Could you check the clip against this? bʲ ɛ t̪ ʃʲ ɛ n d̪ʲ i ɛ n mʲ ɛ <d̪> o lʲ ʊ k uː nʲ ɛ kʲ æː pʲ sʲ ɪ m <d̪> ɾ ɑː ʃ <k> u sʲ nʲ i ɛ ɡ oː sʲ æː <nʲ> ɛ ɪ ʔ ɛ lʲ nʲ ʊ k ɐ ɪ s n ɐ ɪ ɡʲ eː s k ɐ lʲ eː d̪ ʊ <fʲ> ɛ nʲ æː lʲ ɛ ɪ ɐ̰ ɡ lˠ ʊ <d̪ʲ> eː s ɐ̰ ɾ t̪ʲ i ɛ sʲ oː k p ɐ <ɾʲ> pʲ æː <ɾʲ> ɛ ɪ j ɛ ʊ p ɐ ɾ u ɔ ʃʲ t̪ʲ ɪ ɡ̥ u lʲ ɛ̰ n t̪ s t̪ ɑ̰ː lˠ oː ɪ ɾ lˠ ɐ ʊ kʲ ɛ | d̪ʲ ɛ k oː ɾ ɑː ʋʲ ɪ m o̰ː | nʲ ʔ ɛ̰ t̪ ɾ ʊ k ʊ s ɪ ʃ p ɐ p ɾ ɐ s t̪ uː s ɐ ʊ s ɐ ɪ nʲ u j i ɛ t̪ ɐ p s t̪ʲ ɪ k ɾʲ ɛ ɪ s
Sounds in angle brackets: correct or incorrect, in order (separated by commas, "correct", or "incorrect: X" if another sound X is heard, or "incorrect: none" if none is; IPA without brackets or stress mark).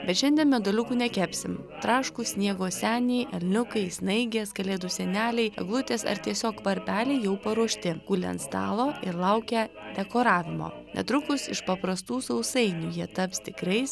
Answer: correct, incorrect: t̪, correct, correct, incorrect: sʲ, incorrect: t̪ʲ, correct, incorrect: lʲ